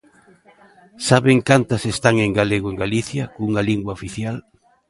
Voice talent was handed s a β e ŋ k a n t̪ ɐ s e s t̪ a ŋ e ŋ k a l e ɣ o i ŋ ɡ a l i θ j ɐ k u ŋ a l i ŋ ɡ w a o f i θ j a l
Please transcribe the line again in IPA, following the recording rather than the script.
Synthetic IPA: s a β e ŋ k a n t̪ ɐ s e s t̪ a ŋ e ŋ ɡ a l e ɣ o e ŋ ɡ a l i θ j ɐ k u ŋ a l i ŋ ɡ w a o f i θ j a l